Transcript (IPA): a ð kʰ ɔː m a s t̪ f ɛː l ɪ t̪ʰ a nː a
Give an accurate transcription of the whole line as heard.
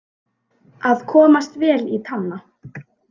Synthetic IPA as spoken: a ð kʰ ɔː m a s t̪ v ɛː l i t̪ʰ a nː a